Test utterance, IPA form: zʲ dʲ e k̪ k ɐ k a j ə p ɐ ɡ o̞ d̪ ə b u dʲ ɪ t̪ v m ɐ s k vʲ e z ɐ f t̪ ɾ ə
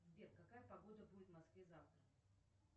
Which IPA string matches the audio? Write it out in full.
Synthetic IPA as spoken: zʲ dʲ e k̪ k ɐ k a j ə p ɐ ɡ o̞ d̪ ə b u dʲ ɪ t̪ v m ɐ s k vʲ e z a f t̪ ɾ ə